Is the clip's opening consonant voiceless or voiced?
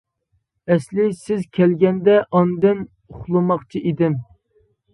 voiceless